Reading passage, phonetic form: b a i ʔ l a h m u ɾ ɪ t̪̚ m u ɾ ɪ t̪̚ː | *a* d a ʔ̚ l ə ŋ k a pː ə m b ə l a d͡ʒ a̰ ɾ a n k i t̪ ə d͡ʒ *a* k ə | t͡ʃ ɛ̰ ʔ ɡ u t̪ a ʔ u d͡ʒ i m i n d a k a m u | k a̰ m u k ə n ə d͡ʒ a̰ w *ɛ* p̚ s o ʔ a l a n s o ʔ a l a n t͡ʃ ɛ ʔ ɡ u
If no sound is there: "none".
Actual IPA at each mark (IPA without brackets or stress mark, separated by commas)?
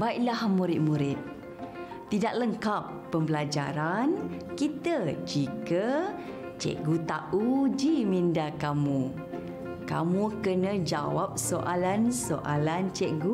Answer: i, i, a